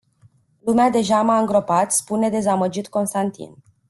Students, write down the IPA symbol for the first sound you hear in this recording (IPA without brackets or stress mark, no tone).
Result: l